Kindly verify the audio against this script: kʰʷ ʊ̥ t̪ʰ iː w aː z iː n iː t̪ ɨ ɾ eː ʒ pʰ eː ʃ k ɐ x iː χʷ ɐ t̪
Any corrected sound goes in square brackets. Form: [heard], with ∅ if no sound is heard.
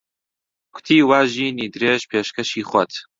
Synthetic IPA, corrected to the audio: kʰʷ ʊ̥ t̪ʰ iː w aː [ʒ] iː n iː [d̪] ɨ ɾ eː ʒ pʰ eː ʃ k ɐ [ʃ] iː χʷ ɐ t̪